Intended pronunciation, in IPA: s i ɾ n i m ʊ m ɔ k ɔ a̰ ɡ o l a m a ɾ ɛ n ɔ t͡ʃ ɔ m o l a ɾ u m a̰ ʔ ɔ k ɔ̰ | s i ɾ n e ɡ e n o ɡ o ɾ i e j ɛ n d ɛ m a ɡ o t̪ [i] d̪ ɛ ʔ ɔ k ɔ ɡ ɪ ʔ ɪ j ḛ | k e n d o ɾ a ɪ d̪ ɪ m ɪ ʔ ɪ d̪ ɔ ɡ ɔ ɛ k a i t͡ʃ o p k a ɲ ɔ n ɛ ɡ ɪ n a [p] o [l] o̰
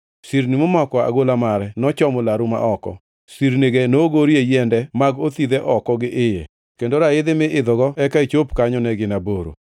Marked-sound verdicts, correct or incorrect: correct, incorrect, incorrect

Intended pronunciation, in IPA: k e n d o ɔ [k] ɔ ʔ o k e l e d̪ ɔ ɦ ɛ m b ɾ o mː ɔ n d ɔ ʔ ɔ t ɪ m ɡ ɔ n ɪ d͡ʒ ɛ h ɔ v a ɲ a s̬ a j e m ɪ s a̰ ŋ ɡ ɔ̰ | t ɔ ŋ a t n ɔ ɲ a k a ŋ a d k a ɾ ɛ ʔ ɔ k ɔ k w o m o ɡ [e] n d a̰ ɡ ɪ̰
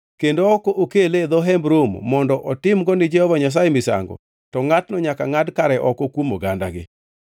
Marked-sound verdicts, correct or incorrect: correct, incorrect

